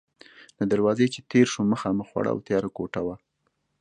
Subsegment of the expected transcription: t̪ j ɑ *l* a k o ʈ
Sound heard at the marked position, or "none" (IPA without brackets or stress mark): ɾ